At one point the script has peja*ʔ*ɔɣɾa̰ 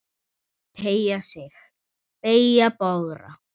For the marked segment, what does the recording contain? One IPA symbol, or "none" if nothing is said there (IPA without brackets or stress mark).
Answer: p